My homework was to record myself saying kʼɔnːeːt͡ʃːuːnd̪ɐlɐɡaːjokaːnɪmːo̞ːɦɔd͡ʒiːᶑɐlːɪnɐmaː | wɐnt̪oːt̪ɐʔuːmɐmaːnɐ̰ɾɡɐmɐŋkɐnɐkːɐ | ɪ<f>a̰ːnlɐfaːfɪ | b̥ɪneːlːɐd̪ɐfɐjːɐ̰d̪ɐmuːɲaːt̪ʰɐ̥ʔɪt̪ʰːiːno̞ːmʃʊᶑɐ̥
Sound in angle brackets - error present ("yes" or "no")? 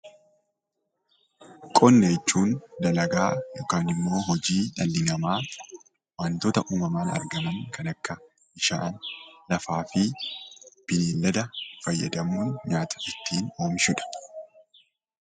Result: yes